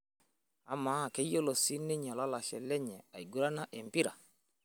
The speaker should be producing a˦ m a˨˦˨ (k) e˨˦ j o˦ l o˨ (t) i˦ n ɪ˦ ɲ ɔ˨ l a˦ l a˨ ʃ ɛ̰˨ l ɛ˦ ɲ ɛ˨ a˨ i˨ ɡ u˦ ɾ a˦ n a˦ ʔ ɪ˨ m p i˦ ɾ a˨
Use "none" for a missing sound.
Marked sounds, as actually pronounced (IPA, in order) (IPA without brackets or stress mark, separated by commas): k, s